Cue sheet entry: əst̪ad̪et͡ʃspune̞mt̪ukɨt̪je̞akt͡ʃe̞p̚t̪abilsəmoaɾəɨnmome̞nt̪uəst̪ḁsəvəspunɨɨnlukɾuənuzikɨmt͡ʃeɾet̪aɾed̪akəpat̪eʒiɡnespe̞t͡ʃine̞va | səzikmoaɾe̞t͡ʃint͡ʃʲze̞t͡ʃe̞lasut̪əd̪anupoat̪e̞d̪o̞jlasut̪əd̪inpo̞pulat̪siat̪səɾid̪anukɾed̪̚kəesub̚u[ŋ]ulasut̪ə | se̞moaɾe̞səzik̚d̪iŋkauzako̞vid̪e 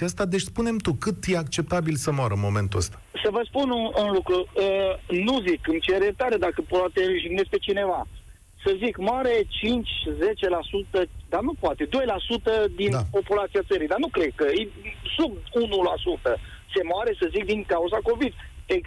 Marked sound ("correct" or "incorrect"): incorrect